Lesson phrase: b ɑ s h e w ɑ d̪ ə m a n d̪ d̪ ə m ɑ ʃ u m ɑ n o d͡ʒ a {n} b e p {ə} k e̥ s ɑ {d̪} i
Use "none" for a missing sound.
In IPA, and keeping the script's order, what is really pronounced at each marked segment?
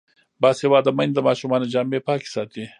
m, ɑ, t̪

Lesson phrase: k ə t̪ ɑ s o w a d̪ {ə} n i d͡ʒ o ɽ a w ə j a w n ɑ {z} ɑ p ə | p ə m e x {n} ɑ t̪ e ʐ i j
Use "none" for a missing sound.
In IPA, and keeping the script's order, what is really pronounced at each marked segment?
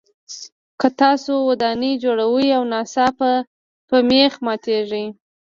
ɑ, s, m

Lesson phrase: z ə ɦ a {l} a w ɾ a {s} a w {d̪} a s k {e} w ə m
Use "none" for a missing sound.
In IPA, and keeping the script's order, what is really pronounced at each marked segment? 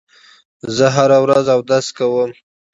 ɾ, z, d̪, a

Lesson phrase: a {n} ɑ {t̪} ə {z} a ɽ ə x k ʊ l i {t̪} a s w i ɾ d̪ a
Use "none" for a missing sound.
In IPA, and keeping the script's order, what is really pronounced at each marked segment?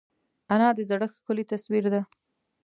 n, d̪, z, t̪

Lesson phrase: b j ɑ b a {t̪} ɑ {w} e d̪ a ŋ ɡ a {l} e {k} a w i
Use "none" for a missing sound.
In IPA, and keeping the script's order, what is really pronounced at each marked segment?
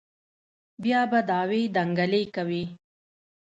d̪, w, l, k

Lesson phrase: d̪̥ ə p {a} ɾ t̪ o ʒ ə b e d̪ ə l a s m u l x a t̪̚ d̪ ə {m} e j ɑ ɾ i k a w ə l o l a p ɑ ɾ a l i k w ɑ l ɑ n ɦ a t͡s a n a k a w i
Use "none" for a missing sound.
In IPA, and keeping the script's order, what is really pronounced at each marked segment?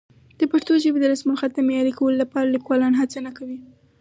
a, m

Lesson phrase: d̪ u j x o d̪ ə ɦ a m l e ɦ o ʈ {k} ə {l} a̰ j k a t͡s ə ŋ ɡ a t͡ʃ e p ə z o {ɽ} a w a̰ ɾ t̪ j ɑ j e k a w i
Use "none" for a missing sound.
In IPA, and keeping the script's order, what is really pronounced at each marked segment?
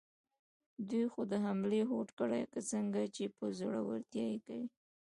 k, ɽ, ɽ

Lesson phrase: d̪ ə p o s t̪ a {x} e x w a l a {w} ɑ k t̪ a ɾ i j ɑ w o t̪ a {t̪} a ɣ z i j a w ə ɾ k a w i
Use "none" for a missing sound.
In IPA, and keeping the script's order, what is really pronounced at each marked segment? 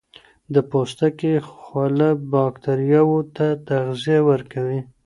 k, b, t̪

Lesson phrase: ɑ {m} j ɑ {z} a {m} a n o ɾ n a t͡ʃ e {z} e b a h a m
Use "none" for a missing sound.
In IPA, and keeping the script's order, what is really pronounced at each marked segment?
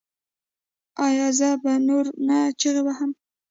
none, z, b, ɣ

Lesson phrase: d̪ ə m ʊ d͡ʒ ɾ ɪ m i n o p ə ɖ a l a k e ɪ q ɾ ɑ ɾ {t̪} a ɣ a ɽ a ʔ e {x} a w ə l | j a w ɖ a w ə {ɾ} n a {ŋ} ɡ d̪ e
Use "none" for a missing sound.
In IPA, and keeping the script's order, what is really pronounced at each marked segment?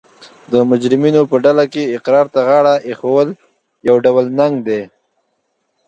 t̪, x, l, ŋ

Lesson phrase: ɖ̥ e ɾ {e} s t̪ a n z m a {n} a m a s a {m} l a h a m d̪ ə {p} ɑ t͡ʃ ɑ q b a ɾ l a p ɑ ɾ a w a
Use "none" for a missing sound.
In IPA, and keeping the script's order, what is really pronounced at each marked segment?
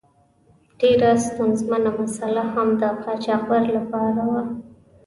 a, n, none, q

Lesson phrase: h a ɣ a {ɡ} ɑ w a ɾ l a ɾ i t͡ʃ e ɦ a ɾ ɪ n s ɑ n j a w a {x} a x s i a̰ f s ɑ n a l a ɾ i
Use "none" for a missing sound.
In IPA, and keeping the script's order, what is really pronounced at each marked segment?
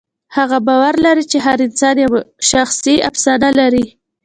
b, ʃ

